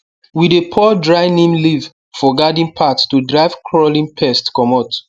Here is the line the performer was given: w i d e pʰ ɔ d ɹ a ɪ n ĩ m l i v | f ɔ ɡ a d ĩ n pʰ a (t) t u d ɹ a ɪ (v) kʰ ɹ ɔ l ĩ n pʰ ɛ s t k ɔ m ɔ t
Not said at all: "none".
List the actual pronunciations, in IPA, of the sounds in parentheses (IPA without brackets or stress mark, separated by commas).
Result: t, v